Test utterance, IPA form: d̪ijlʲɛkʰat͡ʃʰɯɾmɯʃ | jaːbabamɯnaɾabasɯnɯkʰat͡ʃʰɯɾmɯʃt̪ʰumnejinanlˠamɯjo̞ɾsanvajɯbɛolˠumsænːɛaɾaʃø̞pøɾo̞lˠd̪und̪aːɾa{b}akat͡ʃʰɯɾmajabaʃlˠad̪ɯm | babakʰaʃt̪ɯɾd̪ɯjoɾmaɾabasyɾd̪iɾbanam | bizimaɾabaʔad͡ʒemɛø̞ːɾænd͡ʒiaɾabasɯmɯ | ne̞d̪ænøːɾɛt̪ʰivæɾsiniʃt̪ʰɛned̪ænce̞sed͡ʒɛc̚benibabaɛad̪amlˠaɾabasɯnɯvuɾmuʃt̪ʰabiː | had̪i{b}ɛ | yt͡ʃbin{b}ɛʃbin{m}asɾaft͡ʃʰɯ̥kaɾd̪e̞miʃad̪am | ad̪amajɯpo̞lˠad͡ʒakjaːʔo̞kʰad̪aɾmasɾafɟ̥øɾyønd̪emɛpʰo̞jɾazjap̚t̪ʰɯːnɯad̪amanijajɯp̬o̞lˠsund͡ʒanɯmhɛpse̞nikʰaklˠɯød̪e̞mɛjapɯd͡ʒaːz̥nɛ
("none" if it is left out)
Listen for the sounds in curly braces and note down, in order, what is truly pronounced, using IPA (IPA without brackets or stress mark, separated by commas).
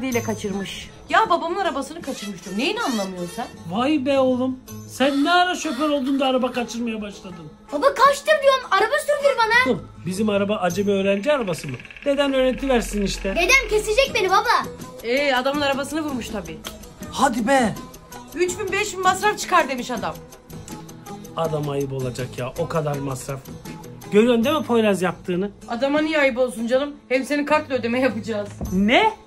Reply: b, b, b, m